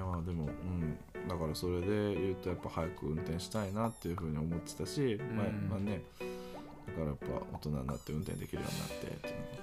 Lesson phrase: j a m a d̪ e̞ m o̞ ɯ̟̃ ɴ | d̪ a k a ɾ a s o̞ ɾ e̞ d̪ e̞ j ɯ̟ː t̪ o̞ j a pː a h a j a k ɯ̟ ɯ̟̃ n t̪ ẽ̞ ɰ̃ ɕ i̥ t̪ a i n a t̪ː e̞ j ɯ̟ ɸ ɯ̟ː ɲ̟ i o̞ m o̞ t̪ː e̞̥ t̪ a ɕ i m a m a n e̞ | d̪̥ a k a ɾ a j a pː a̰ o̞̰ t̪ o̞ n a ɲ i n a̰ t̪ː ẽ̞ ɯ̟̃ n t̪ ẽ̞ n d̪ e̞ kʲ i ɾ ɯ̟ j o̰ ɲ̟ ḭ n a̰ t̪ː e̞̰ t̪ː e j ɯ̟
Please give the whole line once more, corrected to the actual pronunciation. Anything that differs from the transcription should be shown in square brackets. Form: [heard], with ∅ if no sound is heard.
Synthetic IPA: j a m a d̪ e̞ m o̞ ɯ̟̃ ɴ | d̪ a k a ɾ a s o̞ ɾ e̞ d̪ e̞ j ɯ̟ː t̪ o̞ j a pː a h a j a k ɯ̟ ɯ̟̃ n t̪ ẽ̞ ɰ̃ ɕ i̥ t̪ a i n a t̪ː e̞ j ɯ̟ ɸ ɯ̟ː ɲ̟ i o̞ m o̞ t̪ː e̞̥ t̪ a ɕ i m a m a n e̞ | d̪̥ a k a ɾ a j a pː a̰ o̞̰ t̪ o̞ n a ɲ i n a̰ t̪ː [e̞] ɯ̟̃ n t̪ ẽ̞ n d̪ e̞ kʲ i ɾ ɯ̟ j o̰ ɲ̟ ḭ n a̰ t̪ː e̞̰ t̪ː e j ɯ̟